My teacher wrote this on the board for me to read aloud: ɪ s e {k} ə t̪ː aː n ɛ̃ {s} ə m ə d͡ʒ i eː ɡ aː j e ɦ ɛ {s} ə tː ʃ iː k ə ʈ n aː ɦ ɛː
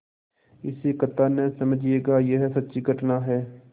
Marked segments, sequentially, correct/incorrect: correct, correct, correct

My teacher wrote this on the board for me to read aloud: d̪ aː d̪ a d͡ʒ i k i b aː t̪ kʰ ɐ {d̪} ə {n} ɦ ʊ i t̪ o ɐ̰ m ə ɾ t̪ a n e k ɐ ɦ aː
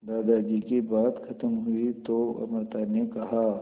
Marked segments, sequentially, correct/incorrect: incorrect: t̪, incorrect: m

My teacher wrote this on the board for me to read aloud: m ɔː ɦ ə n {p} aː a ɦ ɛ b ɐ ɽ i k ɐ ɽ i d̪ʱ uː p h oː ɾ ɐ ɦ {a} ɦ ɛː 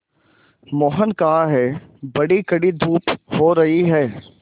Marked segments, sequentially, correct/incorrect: incorrect: k, incorrect: i

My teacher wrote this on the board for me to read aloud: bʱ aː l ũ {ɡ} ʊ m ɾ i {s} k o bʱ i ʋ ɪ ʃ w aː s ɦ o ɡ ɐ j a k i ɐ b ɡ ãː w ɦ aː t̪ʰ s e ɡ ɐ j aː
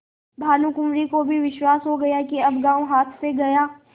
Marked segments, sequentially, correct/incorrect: incorrect: k, incorrect: none

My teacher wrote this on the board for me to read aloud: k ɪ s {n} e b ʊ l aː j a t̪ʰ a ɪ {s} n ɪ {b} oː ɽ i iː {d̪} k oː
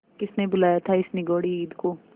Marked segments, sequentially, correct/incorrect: correct, correct, incorrect: ɡ, correct

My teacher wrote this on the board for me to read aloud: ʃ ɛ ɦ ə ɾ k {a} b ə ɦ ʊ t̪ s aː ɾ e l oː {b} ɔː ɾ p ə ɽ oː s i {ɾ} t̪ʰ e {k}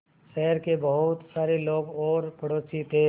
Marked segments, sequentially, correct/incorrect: incorrect: e, incorrect: ɡ, incorrect: none, incorrect: none

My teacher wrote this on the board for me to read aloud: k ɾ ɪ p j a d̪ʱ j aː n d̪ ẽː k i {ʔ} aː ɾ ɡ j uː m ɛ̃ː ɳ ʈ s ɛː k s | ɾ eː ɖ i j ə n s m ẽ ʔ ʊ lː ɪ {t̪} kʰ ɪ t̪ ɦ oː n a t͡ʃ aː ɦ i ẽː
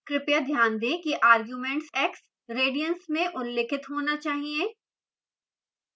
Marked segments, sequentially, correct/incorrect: correct, incorrect: none

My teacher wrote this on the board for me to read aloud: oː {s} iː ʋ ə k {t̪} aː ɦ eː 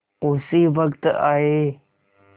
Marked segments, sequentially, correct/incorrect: correct, correct

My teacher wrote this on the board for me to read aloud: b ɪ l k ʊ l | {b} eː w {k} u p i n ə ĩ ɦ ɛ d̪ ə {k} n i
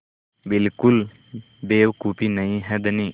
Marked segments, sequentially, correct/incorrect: correct, correct, incorrect: none

